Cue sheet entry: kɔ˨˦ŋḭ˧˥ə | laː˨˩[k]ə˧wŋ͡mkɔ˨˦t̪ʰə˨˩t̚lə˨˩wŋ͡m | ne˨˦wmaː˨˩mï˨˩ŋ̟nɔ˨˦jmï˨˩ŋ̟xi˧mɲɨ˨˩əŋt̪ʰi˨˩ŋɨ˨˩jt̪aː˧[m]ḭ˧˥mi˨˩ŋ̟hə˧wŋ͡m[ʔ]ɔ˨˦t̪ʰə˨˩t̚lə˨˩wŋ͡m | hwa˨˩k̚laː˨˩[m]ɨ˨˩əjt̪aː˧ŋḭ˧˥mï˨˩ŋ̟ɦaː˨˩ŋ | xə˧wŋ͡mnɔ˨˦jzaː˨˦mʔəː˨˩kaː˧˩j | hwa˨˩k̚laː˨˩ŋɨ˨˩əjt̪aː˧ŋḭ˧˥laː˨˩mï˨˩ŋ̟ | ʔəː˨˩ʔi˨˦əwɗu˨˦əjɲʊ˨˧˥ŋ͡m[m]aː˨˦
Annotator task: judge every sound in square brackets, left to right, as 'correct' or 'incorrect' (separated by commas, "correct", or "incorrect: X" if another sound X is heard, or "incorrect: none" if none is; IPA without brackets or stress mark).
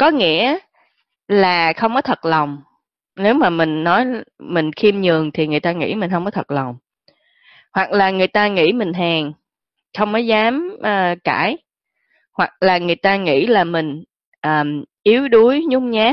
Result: incorrect: x, incorrect: ŋ, incorrect: k, incorrect: ŋ, incorrect: ɲ